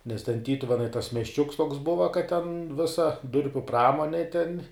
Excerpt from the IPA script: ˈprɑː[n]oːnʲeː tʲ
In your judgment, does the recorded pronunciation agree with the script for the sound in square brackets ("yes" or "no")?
no